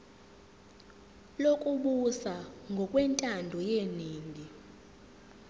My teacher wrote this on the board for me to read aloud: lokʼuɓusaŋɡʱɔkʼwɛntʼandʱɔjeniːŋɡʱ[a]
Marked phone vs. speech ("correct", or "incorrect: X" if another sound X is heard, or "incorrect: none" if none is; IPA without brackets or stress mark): incorrect: i